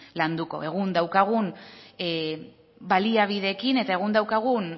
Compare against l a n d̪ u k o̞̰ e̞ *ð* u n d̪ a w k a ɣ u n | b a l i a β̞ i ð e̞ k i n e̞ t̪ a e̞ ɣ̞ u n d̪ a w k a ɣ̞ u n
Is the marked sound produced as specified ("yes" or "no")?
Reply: no